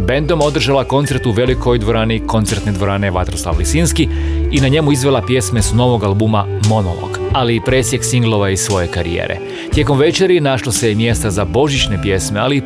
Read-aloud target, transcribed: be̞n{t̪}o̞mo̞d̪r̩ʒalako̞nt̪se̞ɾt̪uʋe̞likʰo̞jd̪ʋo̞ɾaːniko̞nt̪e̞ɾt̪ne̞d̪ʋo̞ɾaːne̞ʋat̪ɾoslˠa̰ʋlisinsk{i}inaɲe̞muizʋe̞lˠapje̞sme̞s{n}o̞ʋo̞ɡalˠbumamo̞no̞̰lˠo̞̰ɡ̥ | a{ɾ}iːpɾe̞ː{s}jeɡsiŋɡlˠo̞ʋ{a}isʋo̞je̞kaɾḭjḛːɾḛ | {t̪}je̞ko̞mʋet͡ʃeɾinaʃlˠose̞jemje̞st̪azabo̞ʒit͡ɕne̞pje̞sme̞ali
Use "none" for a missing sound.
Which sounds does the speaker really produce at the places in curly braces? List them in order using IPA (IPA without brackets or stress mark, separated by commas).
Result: d̪, i, n, l, s, a, t̪